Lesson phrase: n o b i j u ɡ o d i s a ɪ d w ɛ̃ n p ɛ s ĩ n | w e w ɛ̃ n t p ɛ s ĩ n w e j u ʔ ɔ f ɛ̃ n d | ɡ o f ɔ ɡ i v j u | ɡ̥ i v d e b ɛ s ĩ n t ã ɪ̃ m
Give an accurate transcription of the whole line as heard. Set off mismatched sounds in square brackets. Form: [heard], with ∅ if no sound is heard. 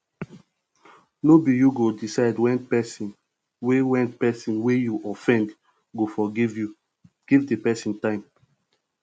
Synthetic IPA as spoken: n o b i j u ɡ o d i s a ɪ d w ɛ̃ n p ɛ s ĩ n | w e w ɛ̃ n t p ɛ s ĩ n w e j u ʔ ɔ f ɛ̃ n d | ɡ o f ɔ ɡ i v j u | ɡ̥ i v d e [p] ɛ s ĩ n t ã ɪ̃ m